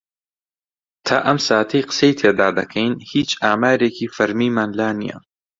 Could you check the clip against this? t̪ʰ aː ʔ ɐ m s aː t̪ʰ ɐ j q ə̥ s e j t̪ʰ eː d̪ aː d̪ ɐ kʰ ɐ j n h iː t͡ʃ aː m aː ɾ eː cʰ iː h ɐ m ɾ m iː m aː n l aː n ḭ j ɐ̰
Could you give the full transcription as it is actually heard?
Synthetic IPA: t̪ʰ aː ʔ ɐ m s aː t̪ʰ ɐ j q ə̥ s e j t̪ʰ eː d̪ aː d̪ ɐ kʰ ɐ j n h iː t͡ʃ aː m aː ɾ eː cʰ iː f ɐ ɾ m iː m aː n l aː n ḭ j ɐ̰